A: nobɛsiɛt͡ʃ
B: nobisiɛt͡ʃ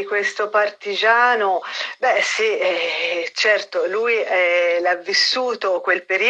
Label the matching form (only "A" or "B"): A